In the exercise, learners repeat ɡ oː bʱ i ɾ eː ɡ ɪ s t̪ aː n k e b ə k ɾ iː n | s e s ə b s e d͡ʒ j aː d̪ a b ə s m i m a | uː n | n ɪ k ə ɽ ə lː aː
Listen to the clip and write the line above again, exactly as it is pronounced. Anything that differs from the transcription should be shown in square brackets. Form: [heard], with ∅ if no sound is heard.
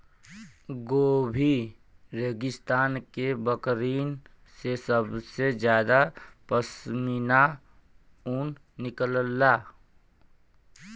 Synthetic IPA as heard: ɡ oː bʱ i ɾ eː ɡ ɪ s t̪ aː n k e b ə k ɾ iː n | s e s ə b s e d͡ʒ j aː d̪ a [p] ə s m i [n] a | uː n | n ɪ k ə [l] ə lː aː

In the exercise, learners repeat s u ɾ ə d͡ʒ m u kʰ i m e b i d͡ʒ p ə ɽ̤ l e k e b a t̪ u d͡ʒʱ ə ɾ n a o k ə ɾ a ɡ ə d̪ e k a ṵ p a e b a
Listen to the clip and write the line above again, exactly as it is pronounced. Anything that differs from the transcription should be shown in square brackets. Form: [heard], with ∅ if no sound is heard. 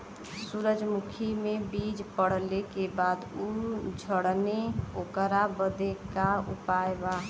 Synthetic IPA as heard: s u ɾ ə d͡ʒ m u kʰ i m e b i d͡ʒ p ə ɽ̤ l e k e b a [d̪] u d͡ʒʱ ə [ɽ] n [e] o k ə ɾ a [b] ə d̪ e k a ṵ p a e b a

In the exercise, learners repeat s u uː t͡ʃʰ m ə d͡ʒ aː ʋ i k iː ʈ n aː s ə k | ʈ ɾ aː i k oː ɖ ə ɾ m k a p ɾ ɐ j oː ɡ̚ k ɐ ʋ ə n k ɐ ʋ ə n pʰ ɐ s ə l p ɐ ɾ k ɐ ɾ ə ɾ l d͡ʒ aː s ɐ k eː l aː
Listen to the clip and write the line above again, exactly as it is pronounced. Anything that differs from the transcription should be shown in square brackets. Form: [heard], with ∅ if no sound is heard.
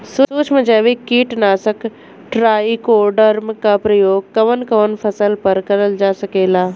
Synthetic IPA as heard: s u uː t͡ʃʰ m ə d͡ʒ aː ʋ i k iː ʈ n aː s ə k | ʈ ɾ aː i k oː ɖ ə ɾ m k a p ɾ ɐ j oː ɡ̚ k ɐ ʋ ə n k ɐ ʋ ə n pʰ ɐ s ə l p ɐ ɾ k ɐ ɾ ə [∅] l d͡ʒ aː s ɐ k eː l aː

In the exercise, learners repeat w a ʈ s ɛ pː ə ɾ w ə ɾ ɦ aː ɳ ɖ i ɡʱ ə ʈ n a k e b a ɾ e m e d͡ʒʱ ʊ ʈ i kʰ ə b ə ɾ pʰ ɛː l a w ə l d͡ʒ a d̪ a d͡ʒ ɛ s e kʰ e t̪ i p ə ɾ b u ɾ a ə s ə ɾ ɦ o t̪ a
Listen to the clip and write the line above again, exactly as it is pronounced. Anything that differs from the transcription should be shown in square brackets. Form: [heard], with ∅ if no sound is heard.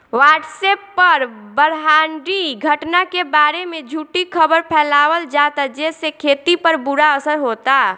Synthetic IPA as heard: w a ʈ s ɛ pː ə ɾ [b] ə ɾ ɦ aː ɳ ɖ i ɡʱ ə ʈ n a k e b a ɾ e m e d͡ʒʱ [u] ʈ i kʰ ə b ə ɾ pʰ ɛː l a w ə l d͡ʒ a [t̪] a d͡ʒ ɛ s e kʰ e t̪ i p ə ɾ b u ɾ a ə s ə ɾ ɦ o t̪ a

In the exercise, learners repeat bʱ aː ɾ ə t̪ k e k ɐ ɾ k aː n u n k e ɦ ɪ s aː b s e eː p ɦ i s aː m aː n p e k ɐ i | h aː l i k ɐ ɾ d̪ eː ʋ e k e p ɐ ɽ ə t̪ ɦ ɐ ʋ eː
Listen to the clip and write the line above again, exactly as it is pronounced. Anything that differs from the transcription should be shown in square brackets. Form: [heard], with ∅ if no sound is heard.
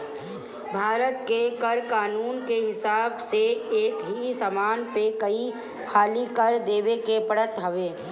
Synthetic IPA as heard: bʱ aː ɾ ə t̪ k e k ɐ ɾ k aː n [uː] n k e ɦ ɪ s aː b s e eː [k] ɦ i s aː m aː n p e k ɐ i | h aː l i k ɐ ɾ d̪ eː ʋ e k e p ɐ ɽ ə t̪ ɦ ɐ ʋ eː

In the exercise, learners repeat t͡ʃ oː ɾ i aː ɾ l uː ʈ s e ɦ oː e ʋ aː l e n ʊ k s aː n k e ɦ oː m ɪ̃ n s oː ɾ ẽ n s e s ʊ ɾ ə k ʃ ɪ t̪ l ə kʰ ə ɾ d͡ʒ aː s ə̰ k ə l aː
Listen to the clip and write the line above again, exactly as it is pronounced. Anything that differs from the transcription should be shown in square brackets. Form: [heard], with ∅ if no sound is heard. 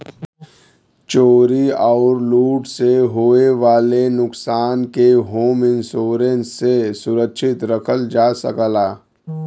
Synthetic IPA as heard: t͡ʃ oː ɾ i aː ɾ l uː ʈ s e ɦ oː e ʋ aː l e n ʊ k s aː n k e ɦ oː m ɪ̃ n s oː ɾ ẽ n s e s ʊ ɾ ə k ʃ ɪ t̪ [ɾ] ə kʰ ə [l] d͡ʒ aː s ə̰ k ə l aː

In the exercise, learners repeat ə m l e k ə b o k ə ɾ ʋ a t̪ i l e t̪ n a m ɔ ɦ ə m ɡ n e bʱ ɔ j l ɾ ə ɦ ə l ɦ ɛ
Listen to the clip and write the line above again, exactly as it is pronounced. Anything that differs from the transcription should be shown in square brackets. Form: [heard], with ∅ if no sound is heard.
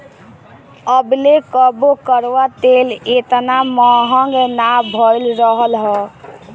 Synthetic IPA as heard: ə [b] l e k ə b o k ə ɾ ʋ a t̪ [e] l e t̪ n a m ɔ ɦ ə [ŋ] ɡ n [a] bʱ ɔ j l ɾ ə ɦ ə l ɦ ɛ

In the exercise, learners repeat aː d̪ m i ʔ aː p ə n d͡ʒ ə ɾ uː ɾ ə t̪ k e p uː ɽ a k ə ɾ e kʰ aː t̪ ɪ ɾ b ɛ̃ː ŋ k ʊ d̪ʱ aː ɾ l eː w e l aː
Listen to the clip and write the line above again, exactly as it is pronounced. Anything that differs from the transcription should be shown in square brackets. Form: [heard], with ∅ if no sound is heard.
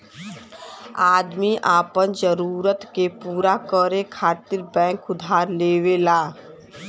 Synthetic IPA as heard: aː d̪ m i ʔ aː p ə n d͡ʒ ə ɾ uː ɾ ə t̪ k e p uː [ɾ] a k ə ɾ e kʰ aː t̪ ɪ ɾ b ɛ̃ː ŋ k ʊ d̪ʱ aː ɾ l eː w e l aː

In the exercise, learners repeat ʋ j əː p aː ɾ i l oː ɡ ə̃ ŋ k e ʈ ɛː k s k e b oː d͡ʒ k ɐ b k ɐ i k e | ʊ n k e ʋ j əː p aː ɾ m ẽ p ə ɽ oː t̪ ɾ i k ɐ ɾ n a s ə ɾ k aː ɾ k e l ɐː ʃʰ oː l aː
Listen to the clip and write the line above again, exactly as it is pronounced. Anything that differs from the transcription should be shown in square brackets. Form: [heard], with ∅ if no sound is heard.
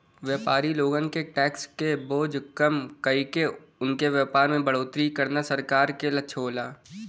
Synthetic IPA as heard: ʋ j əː p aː ɾ i l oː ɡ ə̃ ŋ k e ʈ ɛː k s k e b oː d͡ʒ k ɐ [m] k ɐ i k e | ʊ n k e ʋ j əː p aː ɾ m ẽ [b] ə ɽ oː t̪ ɾ i k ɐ ɾ n a s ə ɾ k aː ɾ k e l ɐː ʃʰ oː l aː

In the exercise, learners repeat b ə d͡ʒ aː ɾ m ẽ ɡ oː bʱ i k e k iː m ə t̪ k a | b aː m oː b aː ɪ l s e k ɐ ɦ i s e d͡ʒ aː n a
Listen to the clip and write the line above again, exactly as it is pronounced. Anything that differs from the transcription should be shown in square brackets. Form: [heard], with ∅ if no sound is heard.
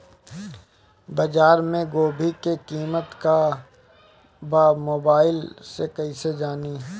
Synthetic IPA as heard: b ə d͡ʒ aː ɾ m ẽ ɡ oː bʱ i k e k iː m ə t̪ k a | b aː m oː b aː ɪ l s e k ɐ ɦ i s e d͡ʒ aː n [i]

